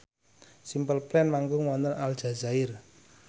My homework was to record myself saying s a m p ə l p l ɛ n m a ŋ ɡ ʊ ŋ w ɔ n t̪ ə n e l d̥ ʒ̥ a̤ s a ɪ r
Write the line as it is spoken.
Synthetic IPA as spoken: s i m p ə l p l ɛ n m a ŋ ɡ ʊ ŋ w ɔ n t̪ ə n a l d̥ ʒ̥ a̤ z a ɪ r